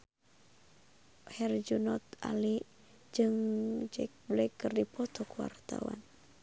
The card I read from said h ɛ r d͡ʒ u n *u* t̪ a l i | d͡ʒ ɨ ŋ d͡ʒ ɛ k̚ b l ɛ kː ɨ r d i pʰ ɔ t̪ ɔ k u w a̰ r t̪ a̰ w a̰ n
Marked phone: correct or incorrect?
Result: incorrect